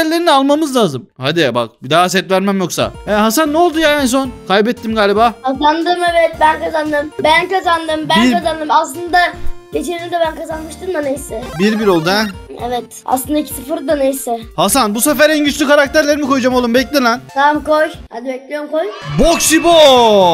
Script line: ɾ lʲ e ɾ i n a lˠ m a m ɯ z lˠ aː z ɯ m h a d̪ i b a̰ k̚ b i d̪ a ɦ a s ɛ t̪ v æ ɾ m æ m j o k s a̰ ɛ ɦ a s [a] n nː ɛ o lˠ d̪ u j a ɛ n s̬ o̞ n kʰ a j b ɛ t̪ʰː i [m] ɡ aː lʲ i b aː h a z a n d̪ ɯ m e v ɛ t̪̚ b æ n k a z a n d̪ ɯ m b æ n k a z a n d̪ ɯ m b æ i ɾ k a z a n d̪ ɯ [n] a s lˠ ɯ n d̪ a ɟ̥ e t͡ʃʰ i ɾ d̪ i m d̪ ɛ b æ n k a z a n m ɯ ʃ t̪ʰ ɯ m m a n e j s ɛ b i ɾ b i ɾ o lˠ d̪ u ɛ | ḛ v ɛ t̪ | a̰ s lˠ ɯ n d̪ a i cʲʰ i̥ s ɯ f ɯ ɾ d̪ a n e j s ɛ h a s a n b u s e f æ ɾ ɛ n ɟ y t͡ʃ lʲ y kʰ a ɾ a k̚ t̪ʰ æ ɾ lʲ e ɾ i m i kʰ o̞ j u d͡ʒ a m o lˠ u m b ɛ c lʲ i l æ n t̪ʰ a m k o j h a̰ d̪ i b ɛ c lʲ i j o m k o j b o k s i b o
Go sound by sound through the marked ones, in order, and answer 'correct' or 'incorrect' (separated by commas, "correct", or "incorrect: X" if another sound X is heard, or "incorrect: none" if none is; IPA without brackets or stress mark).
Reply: correct, correct, incorrect: m